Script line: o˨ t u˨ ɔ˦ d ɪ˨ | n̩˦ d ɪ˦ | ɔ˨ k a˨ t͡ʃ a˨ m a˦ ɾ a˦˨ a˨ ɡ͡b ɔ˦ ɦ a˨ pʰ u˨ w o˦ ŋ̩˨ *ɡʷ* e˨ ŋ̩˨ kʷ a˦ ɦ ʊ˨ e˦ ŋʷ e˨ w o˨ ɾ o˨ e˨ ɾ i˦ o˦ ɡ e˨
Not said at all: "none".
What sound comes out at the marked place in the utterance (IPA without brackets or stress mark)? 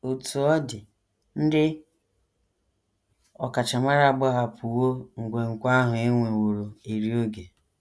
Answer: ɡʷ